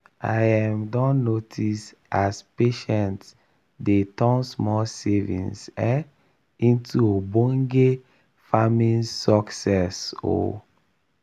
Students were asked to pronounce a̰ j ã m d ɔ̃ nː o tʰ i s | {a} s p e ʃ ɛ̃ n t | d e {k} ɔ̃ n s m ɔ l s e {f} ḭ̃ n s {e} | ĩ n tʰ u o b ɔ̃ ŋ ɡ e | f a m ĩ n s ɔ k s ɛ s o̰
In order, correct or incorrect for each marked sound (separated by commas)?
correct, incorrect, incorrect, incorrect